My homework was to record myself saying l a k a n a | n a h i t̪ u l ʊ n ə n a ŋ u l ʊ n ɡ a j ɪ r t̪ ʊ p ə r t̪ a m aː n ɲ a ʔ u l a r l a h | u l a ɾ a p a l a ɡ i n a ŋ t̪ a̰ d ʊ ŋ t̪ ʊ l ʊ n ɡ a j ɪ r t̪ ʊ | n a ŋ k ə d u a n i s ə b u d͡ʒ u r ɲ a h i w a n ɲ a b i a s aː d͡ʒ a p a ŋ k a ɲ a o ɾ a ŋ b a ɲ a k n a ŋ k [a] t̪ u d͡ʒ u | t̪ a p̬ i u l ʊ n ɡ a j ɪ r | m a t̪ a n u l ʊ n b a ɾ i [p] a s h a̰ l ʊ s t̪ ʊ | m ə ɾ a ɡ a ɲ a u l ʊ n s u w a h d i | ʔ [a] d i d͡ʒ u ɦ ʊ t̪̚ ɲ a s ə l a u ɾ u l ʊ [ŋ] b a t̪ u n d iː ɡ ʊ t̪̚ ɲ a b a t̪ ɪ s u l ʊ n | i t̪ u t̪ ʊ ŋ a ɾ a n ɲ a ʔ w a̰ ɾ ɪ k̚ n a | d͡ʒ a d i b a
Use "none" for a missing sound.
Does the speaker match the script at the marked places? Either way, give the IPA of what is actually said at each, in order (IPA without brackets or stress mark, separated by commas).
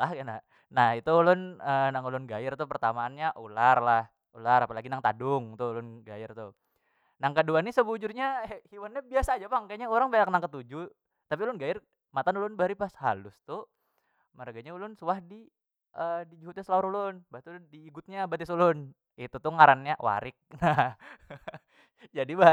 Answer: ə, p, ə, n